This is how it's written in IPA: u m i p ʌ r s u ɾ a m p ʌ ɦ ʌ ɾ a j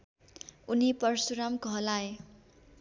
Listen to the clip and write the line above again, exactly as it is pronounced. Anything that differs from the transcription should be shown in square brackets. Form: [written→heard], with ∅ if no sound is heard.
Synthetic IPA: u [m→n] i p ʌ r s u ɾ a m [p→k] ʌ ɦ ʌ [ɾ→l] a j